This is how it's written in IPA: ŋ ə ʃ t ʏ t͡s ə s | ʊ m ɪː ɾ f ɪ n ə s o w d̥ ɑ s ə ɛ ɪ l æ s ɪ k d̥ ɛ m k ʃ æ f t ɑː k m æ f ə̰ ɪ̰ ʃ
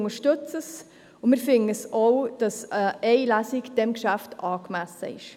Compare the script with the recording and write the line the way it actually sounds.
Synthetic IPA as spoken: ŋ ə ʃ t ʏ t͡s ə s | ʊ m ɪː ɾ f ɪ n ə s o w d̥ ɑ s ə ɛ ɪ l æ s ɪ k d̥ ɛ m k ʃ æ f t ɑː k m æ s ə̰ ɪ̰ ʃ